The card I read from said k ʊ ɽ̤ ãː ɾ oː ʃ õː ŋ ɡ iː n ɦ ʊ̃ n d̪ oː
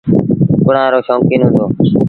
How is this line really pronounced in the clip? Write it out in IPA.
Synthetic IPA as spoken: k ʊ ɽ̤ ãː ɾ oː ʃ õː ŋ k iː n ɦ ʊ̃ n d̪ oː